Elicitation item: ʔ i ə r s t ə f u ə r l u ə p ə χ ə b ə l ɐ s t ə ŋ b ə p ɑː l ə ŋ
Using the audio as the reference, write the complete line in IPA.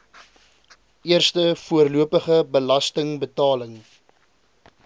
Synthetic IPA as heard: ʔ i ə r s t ə f u ə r l u ə p ə χ ə b ə l ɐ s t ə ŋ b ə t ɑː l ə ŋ